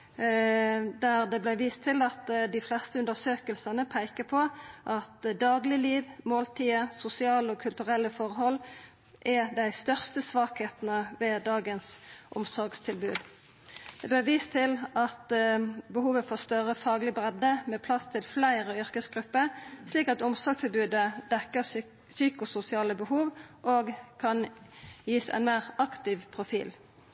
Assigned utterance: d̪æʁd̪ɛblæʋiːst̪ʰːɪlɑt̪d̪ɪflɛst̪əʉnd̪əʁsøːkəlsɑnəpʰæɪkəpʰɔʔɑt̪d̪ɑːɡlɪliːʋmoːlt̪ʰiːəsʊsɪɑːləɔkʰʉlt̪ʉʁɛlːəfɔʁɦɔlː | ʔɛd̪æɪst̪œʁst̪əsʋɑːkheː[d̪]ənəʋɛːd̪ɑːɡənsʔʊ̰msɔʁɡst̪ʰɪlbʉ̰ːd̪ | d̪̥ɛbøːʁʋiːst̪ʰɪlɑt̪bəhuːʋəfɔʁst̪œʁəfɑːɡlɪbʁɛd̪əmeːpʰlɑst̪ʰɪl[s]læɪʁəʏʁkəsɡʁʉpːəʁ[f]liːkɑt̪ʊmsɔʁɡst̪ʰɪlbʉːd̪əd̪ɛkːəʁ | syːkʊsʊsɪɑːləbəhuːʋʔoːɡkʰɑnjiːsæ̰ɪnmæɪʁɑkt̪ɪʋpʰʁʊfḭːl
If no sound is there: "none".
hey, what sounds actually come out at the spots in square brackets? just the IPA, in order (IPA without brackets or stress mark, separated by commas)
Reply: t̪, f, s